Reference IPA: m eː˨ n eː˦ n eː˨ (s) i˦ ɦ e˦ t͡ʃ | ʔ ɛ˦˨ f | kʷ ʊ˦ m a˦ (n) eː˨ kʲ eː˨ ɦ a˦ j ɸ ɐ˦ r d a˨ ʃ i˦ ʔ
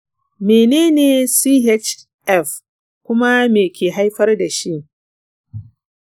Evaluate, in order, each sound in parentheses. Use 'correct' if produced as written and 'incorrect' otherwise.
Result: correct, incorrect: m

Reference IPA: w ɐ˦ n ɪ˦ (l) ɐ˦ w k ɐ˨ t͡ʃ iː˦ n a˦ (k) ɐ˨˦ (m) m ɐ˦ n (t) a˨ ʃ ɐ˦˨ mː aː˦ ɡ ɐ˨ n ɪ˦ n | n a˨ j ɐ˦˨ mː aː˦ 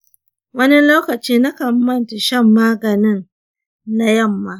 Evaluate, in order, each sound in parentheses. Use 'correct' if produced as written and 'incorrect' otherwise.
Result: correct, correct, correct, correct

